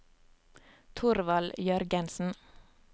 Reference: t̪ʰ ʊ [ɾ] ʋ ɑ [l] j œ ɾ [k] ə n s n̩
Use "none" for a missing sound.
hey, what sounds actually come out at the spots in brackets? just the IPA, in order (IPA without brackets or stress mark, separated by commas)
ɾ, l, ɡ